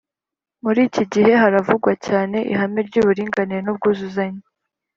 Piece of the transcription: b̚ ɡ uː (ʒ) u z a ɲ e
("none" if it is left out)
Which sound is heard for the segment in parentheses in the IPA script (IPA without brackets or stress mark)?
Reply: z